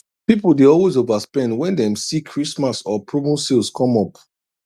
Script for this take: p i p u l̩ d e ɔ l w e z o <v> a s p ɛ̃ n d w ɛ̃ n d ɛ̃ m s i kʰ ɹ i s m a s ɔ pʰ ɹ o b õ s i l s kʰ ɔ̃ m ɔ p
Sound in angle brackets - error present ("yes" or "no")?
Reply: no